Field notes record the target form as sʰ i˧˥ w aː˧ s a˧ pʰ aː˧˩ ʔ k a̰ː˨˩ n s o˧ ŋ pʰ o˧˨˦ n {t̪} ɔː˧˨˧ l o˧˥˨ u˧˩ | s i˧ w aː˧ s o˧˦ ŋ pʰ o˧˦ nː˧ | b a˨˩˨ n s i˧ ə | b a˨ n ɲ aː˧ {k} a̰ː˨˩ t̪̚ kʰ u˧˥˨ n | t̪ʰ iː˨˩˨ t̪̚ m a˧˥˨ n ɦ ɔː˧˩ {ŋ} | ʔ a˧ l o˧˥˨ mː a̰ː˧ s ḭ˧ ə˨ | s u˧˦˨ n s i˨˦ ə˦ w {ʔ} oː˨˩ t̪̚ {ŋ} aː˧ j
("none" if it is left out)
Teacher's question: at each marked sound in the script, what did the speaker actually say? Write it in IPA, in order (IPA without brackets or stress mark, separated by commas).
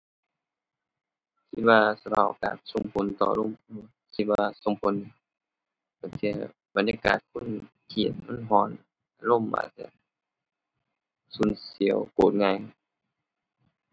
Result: t̪, k, n, k, ŋ